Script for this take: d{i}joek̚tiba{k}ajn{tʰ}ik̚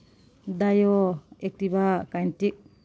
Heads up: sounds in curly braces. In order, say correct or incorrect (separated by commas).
incorrect, correct, incorrect